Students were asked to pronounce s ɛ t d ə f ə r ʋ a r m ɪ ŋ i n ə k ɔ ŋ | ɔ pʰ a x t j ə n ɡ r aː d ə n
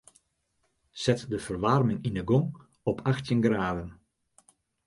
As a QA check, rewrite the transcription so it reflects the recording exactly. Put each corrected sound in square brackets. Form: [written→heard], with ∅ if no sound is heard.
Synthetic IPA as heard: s ɛ t d ə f ə r ʋ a r m ɪ ŋ i n ə [k→ɡ] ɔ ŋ | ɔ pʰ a x t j ə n ɡ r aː d ə n

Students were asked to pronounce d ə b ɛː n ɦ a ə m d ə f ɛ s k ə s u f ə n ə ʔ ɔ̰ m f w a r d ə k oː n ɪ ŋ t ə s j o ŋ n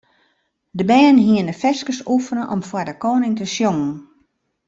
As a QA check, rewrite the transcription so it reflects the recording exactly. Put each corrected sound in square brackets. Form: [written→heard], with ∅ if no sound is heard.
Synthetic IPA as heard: d ə b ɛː n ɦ [a→i] ə [m→n] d ə f ɛ s k ə s u f ə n ə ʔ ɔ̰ m f w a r d ə k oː n ɪ ŋ t ə s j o ŋ n

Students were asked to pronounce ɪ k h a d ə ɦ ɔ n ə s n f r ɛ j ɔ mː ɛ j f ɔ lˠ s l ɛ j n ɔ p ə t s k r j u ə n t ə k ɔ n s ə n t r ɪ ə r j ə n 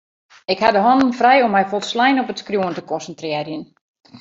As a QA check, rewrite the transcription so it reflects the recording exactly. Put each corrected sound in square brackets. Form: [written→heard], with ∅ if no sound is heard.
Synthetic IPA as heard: ɪ k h a d ə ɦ ɔ n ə [s→∅] n f r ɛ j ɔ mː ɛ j f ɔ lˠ s l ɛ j n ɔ p ə t s k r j u ə n t ə k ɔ n s ə n t r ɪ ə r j ə n

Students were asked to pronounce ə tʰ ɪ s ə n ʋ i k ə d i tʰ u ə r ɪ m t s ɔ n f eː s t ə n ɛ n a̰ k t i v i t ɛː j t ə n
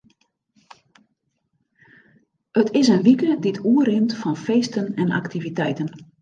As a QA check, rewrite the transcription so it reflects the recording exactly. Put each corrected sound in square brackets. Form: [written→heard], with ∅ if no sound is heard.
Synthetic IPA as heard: ə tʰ ɪ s ə n ʋ i k ə d i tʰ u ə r ɪ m t [s→f] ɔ n f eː s t ə n ɛ n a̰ k t i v i t [ɛː→ɛ] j t ə n

